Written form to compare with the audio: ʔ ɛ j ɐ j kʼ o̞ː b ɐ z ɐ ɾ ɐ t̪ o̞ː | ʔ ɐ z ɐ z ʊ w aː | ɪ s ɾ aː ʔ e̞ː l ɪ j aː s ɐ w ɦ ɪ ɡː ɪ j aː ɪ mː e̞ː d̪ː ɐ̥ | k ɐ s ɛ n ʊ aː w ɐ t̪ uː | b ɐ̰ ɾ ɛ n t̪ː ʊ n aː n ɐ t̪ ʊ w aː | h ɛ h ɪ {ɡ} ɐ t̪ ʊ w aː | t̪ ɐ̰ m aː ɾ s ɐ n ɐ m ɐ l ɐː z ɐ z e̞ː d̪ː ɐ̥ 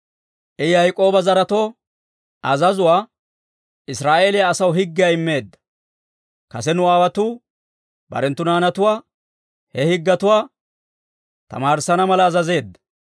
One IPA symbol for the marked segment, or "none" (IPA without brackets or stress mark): ɡː